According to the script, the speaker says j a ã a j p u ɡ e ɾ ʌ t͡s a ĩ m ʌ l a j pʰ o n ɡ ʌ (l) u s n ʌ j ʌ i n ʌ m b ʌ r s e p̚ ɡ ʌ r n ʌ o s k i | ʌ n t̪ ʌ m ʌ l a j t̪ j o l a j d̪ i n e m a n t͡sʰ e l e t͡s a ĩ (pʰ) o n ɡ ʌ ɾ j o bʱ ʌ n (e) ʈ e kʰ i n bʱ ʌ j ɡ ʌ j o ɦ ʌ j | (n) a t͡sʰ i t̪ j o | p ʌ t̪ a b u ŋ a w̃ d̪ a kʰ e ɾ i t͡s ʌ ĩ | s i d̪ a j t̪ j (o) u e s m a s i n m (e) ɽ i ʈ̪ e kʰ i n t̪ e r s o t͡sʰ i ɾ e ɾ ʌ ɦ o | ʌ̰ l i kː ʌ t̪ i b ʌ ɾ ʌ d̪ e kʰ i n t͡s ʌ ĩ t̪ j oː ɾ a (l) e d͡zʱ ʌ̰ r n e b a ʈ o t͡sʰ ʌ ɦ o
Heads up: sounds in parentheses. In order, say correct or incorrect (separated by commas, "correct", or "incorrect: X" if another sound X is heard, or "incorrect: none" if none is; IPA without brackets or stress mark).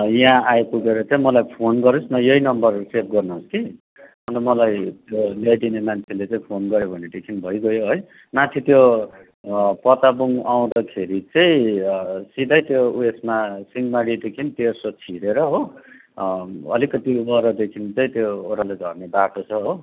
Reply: incorrect: ɾ, correct, correct, incorrect: m, correct, incorrect: a, correct